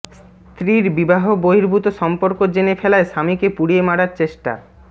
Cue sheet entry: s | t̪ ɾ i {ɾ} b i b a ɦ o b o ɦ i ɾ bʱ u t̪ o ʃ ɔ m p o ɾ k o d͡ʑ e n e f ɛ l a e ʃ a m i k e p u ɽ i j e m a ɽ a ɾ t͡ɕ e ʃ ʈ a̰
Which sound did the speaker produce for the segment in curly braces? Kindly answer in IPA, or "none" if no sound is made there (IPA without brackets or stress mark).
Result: ɾ